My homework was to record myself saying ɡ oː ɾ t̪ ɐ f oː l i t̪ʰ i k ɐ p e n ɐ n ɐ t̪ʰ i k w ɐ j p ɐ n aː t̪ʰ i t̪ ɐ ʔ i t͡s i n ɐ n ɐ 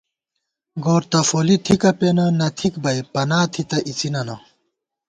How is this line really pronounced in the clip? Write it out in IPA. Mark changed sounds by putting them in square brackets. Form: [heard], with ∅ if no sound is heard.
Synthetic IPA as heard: ɡ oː ɾ t̪ ɐ f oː l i t̪ʰ i k ɐ p e n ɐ n ɐ t̪ʰ i k [b] ɐ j p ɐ n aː t̪ʰ i t̪ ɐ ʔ i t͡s i n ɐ n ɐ